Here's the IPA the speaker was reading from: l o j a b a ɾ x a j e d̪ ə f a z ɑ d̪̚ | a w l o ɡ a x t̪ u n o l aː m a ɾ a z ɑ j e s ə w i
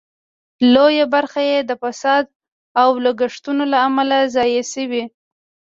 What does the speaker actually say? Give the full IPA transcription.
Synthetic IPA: l o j a b a ɾ x a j e d̪ ə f a s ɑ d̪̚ | a w l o ɡ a ʂ t̪ u n o l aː m a l a z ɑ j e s ə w i

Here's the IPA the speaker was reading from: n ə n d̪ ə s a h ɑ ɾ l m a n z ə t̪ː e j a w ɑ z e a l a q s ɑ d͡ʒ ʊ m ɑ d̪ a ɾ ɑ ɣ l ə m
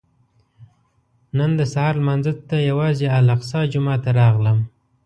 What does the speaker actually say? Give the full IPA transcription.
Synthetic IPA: n ə n d̪ ə s a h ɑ ɾ l m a n z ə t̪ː a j a w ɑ z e a l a q s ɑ d͡ʒ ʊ m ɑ t̪ a ɾ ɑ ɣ l ə m

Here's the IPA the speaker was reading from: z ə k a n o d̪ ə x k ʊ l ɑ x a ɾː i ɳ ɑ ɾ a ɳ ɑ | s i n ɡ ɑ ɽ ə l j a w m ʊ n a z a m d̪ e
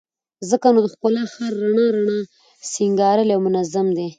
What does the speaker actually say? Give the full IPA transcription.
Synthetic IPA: z ə k a n o d̪ ə x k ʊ l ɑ x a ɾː a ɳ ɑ ɾ a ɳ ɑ | s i ŋ ɡ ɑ ɾ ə l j a w m ʊ n a z a m d̪ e

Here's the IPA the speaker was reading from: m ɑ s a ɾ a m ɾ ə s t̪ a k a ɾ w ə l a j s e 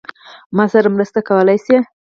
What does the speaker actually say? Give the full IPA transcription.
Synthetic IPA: m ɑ s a ɾ a m ɾ ə s t̪ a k a w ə l a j s e

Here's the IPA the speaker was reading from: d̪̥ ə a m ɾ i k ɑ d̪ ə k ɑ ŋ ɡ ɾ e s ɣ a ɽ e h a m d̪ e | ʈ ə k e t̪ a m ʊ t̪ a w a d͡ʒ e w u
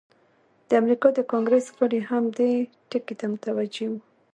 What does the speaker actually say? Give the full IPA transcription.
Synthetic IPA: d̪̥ ə a m ɾ i k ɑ d̪ ə k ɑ ŋ ɡ ɾ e s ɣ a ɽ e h a m d̪ e | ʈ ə k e t̪ a m ʊ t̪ a w a d͡ʒ e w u

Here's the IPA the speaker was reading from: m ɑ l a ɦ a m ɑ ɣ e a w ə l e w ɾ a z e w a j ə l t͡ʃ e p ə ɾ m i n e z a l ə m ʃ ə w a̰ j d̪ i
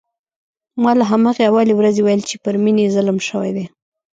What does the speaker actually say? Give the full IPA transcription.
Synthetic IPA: m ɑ l a ɦ a m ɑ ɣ e a w ɑ l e w ɾ a z e w a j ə l t͡ʃ e p ə ɾ m i n e z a l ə m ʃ ə w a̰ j d̪ e

